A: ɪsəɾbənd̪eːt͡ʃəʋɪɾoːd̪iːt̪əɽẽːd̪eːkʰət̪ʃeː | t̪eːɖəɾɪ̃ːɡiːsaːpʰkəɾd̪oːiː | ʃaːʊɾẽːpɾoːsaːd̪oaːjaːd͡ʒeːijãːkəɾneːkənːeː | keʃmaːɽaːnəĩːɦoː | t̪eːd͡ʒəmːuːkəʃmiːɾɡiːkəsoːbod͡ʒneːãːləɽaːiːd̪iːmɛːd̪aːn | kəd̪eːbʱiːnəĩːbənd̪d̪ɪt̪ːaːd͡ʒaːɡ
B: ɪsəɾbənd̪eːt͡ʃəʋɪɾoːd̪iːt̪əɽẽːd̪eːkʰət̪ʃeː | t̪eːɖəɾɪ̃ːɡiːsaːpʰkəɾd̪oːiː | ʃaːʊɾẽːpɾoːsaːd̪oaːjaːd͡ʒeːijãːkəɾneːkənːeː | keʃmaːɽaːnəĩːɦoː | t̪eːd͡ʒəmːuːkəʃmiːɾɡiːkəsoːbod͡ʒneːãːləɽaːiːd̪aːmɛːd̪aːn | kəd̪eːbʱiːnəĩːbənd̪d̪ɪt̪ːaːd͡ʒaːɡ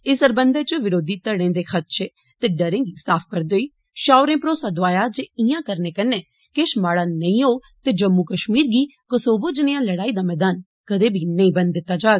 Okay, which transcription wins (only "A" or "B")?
B